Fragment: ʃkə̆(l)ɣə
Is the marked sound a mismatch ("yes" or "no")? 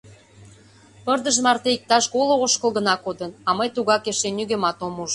no